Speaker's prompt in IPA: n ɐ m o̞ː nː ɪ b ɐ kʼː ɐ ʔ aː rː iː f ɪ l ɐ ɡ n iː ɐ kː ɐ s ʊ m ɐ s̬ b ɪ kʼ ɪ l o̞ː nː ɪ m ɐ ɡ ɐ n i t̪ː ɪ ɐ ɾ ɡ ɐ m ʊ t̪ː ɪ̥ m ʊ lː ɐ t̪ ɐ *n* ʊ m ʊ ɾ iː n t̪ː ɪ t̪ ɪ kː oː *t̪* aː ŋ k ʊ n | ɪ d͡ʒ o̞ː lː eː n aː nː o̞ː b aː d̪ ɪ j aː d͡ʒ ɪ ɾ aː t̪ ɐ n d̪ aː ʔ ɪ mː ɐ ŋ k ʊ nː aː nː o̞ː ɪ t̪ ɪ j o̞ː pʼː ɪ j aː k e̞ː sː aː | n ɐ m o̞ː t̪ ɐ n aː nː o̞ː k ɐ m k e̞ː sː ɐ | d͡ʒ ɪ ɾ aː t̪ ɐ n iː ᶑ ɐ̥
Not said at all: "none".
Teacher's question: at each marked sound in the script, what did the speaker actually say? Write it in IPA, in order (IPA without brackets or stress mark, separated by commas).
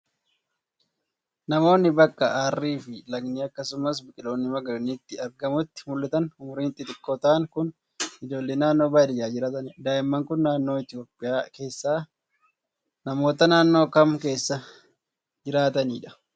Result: n, t̪